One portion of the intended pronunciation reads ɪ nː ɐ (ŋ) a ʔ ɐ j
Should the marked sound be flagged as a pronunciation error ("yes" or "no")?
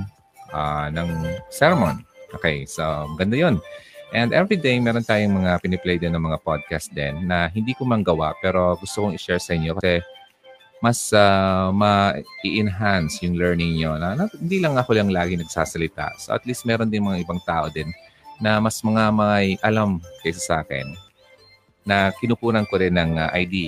no